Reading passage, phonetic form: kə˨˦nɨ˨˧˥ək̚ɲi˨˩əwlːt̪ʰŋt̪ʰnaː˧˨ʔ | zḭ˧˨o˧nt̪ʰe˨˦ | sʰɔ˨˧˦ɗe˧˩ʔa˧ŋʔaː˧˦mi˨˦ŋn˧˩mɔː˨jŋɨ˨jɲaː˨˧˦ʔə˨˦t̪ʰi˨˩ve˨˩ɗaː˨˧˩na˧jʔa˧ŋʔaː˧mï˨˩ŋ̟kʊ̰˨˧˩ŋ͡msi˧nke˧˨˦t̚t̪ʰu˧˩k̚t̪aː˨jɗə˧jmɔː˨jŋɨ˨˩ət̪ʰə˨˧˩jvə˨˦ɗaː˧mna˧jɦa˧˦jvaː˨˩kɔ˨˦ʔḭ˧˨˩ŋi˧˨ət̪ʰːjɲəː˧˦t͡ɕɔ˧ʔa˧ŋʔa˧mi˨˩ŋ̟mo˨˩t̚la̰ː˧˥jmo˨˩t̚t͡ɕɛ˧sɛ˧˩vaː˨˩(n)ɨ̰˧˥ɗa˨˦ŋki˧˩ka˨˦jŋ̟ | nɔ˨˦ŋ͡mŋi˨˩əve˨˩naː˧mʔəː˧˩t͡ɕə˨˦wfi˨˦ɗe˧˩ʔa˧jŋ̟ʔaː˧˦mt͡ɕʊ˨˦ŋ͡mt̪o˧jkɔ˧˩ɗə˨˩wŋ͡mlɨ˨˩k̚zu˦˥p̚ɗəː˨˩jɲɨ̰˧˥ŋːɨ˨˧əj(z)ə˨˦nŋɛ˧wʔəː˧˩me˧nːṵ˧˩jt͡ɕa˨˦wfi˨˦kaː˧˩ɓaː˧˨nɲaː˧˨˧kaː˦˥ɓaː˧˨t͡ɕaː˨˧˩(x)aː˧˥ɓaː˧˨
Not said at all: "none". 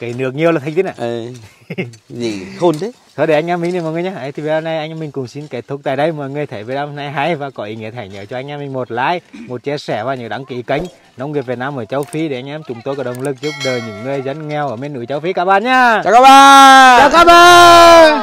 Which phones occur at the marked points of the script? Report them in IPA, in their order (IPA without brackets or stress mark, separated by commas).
ɲ, z, k